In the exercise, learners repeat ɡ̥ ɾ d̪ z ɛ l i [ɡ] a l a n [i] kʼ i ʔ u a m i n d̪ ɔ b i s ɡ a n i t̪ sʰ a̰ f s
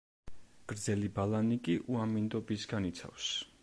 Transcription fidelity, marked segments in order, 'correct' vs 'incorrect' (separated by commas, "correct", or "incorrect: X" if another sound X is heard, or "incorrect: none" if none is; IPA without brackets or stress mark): incorrect: b, correct